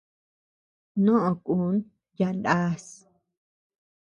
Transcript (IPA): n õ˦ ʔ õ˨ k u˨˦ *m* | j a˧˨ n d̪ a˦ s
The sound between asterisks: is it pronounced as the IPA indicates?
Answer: no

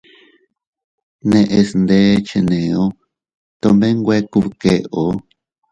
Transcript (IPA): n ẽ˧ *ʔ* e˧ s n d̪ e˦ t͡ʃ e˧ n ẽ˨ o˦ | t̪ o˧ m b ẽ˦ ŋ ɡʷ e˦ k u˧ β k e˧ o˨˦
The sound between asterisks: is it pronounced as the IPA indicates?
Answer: yes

